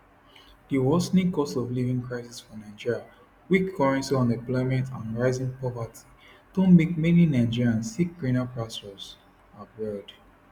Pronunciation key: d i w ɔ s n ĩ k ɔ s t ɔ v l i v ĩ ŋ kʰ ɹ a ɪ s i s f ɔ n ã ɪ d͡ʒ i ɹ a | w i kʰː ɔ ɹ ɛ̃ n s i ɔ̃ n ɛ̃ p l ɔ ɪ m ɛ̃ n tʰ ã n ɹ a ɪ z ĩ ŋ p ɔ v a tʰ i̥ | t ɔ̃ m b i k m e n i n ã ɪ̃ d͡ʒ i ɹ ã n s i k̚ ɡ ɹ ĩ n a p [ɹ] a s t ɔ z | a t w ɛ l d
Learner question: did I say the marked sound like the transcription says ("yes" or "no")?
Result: yes